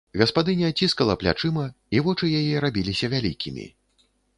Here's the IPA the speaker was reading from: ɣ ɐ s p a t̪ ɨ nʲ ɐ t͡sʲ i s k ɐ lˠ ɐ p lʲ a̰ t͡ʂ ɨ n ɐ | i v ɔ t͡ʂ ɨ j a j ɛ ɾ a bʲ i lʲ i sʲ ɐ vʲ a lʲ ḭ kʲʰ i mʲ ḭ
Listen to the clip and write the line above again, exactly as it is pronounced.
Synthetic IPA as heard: ɣ ɐ s p a d̪ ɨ nʲ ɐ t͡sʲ i s k ɐ lˠ ɐ p lʲ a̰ t͡ʂ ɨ m ɐ | i v ɔ t͡ʂ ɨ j a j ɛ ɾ a bʲ i lʲ i sʲ ɐ vʲ a lʲ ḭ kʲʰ i mʲ ḭ